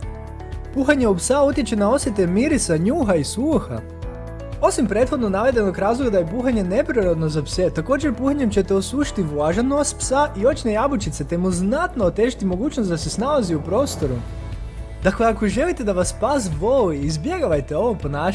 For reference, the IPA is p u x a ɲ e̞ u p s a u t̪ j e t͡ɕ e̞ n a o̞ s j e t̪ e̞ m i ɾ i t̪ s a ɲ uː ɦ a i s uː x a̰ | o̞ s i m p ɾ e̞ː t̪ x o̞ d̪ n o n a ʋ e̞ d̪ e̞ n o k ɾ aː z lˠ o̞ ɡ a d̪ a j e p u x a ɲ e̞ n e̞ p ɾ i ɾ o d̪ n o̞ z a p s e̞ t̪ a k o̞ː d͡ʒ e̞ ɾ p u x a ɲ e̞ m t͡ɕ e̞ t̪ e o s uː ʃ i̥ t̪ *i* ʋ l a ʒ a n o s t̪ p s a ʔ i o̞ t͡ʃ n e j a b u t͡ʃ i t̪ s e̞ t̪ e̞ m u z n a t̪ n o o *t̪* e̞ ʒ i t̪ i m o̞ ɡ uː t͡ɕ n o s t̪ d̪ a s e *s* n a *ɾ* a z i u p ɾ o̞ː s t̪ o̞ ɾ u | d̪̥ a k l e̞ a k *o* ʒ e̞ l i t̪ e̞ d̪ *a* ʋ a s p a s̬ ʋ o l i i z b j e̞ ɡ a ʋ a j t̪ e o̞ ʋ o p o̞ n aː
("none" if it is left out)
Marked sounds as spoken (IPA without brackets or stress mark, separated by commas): i, t̪, s, l, o, a